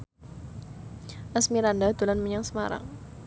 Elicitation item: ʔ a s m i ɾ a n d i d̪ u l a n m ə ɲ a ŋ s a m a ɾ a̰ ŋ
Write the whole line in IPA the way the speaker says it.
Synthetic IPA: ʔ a s m i ɾ a n d a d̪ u l a n m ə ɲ a ŋ s ə m a ɾ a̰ ŋ